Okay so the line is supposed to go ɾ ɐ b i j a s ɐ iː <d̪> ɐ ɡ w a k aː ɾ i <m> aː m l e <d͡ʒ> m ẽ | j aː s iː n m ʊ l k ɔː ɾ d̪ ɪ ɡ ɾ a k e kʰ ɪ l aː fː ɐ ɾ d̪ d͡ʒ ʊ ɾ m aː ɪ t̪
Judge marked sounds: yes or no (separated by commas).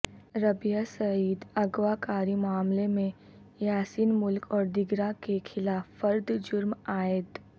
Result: yes, yes, no